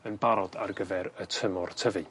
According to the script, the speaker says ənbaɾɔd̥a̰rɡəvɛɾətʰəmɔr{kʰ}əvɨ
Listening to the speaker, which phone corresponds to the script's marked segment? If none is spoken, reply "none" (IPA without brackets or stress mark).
tʰ